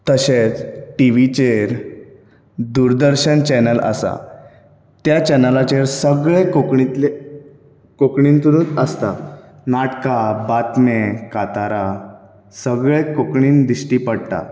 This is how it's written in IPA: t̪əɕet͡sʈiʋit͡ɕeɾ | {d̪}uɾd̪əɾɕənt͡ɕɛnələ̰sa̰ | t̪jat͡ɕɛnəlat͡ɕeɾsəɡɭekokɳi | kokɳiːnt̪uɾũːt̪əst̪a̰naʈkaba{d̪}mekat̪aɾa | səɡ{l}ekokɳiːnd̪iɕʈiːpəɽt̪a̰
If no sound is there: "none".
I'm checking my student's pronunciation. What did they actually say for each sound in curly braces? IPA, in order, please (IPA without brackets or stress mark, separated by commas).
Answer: d̪, t̪, ɭ